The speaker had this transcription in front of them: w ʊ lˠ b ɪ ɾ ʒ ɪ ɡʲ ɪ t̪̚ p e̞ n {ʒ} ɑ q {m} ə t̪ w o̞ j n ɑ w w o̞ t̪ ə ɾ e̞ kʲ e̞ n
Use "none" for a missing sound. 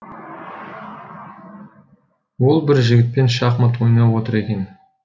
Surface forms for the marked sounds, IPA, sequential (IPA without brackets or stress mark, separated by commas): ʃ, m